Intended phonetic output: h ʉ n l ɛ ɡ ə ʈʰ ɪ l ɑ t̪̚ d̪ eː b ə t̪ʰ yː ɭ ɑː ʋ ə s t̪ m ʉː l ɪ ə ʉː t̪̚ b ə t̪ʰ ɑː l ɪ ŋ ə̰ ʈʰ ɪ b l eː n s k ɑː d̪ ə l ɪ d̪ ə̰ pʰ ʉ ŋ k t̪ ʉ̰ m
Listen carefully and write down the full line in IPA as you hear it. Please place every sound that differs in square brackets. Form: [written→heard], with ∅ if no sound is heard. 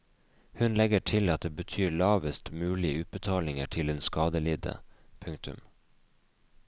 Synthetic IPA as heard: h ʉ n l ɛ ɡ ə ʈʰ ɪ l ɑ t̪̚ d̪ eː b ə t̪ʰ yː ɭ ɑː ʋ ə s t̪ m ʉː l ɪ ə ʉː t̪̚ b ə t̪ʰ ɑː l ɪ ŋ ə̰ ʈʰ ɪ [b→∅] l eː n s k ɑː d̪ ə l ɪ d̪ ə̰ pʰ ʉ ŋ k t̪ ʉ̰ m

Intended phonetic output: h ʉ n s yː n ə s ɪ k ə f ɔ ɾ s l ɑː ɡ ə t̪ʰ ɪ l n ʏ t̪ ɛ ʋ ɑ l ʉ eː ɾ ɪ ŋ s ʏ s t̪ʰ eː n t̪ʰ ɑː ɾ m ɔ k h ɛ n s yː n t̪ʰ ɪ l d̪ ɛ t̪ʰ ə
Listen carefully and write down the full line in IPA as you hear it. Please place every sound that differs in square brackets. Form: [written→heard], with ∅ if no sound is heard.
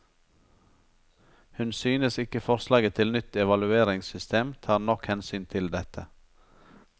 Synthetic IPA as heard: h ʉ n s yː n ə s ɪ k ə f ɔ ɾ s l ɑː ɡ ə t̪ʰ ɪ l n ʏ t̪ ɛ ʋ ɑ l ʉ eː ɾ ɪ ŋ s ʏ s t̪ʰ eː [n→m] t̪ʰ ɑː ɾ [m→n] ɔ k h ɛ n s yː n t̪ʰ ɪ l d̪ ɛ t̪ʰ ə

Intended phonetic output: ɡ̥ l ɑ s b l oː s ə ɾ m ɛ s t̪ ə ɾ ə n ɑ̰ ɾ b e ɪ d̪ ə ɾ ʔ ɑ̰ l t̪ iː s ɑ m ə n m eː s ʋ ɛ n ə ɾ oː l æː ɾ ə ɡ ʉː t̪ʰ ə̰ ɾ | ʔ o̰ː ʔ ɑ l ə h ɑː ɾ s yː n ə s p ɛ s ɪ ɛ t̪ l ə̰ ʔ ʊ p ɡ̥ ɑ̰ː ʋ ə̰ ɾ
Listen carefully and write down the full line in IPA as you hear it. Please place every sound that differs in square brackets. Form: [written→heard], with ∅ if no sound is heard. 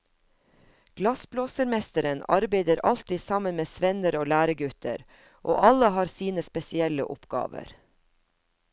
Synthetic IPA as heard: ɡ̥ l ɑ s b l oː s ə ɾ m ɛ s t̪ ə ɾ ə n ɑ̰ ɾ b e ɪ d̪ ə ɾ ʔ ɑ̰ l t̪ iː s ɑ m ə n m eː s ʋ ɛ n ə ɾ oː l æː ɾ ə ɡ [ʉː→ʉ] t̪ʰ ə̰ ɾ | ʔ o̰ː ʔ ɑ l ə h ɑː ɾ s [yː→iː] n ə s p ɛ s ɪ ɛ [t̪→∅] l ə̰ ʔ ʊ p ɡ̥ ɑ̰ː ʋ ə̰ ɾ

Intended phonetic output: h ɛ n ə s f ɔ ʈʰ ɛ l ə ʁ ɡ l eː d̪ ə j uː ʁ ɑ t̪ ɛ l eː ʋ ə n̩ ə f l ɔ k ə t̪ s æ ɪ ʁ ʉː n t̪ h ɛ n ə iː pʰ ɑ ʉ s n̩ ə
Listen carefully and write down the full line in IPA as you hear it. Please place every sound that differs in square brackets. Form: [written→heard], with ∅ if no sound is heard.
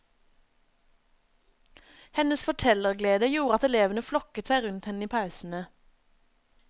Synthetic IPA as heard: h ɛ n ə s f ɔ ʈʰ ɛ l ə ʁ ɡ l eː d̪ ə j uː ʁ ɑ t̪ ɛ l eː ʋ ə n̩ ə f l ɔ k ə t̪ s æ ɪ ʁ [ʉː→ʉ] n t̪ h ɛ n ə iː pʰ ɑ ʉ s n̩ ə

